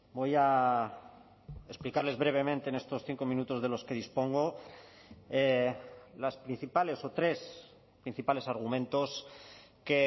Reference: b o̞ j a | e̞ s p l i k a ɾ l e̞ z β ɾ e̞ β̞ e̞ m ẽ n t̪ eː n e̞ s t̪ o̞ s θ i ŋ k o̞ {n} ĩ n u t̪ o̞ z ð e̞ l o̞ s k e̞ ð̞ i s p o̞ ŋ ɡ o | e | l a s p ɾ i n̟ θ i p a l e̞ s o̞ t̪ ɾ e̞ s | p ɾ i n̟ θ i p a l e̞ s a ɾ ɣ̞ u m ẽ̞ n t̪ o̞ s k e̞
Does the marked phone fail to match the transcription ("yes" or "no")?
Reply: yes